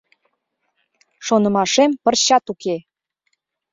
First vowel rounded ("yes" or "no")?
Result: yes